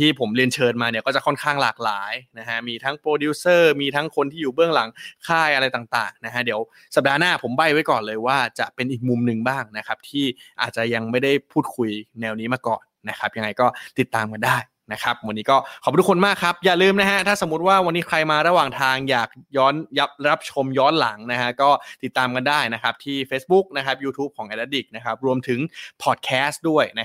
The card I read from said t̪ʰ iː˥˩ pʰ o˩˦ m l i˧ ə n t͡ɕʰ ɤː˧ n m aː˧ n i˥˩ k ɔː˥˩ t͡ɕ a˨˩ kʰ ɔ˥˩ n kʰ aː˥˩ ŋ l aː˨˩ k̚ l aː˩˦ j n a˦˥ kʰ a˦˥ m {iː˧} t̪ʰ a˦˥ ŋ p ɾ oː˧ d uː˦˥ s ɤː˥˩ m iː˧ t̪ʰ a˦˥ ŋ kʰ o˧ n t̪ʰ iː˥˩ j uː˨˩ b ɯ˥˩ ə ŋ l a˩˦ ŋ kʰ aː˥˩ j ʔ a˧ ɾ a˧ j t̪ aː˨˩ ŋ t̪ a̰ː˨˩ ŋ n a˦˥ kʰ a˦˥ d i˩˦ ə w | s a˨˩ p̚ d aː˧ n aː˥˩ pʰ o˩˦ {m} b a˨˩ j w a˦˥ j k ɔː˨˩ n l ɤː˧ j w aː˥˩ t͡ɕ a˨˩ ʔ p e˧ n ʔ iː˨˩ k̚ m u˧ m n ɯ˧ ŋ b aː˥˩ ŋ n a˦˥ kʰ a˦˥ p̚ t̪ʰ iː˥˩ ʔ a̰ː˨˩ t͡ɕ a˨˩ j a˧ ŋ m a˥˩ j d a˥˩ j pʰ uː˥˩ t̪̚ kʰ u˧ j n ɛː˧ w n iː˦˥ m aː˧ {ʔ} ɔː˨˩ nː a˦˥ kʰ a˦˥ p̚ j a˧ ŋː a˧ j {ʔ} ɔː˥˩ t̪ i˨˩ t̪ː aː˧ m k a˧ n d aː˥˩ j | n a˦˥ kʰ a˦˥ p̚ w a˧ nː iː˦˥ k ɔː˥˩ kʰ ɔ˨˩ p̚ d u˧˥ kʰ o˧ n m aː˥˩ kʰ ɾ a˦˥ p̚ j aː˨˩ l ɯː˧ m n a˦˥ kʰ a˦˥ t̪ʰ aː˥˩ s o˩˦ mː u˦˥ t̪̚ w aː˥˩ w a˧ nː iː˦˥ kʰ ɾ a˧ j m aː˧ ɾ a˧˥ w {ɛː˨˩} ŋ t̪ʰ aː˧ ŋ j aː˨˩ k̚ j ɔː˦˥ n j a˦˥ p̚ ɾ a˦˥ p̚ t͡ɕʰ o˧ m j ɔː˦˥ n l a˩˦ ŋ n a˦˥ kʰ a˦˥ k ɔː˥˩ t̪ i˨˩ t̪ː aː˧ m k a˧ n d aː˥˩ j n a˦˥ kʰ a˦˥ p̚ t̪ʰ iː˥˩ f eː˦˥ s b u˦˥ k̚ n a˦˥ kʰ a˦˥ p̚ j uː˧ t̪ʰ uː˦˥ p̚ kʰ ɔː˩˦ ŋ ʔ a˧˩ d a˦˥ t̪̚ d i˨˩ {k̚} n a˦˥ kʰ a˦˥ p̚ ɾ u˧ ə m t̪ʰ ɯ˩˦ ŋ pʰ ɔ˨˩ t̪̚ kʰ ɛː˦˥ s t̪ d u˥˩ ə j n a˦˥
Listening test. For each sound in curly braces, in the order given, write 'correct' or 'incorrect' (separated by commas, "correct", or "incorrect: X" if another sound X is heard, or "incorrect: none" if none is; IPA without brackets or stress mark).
correct, correct, incorrect: k, incorrect: k, incorrect: aː˨˩, correct